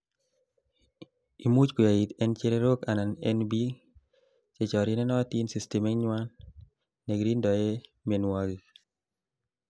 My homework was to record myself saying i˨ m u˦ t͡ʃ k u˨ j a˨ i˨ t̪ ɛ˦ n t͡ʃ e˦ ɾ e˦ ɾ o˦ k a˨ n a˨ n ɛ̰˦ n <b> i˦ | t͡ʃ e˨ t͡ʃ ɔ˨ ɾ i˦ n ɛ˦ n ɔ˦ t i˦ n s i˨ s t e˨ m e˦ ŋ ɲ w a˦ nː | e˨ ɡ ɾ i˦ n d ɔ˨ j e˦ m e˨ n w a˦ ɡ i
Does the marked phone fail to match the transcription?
no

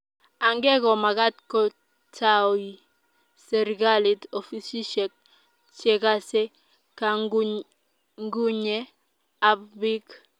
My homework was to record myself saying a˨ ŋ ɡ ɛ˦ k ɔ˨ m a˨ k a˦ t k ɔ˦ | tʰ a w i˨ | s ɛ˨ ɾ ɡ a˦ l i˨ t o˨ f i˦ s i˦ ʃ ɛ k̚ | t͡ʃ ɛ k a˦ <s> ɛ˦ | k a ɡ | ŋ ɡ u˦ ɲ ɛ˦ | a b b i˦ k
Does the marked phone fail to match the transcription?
no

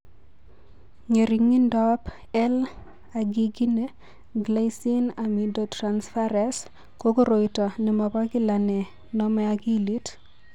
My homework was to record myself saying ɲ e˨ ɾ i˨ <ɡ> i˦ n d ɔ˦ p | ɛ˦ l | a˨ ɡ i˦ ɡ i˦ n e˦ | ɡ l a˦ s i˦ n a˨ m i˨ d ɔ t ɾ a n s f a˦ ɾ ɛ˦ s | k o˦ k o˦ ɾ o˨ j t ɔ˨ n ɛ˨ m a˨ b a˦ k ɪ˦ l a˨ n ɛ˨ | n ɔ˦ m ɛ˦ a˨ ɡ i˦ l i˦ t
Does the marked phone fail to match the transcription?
yes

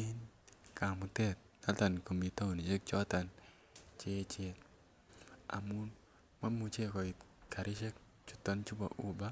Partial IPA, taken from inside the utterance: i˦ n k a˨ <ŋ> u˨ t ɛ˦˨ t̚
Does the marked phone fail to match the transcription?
yes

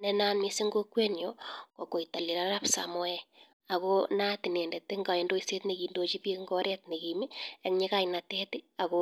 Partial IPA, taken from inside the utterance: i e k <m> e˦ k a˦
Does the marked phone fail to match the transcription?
yes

